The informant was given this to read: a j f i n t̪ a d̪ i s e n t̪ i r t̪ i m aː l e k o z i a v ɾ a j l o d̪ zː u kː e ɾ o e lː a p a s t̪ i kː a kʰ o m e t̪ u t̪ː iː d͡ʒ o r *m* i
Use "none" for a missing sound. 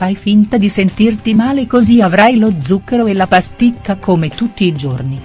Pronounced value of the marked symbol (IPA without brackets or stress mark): n